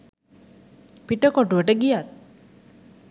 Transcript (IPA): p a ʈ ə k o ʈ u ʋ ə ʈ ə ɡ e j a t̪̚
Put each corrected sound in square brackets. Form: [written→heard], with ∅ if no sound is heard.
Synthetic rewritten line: p [a→i] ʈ ə k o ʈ u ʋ ə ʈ ə ɡ [e→i] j a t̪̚